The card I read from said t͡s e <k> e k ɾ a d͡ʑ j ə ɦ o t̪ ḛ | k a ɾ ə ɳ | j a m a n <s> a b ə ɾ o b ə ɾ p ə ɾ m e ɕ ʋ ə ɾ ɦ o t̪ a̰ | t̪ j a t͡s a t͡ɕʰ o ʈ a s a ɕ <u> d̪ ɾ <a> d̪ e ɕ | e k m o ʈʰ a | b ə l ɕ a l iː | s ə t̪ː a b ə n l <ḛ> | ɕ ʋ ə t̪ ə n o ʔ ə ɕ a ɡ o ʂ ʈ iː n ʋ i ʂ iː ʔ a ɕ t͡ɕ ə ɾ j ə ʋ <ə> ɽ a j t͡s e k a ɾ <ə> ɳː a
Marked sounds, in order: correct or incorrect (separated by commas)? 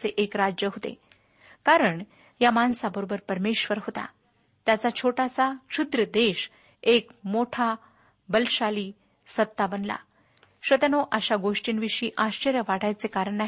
incorrect, correct, correct, incorrect, incorrect, incorrect, correct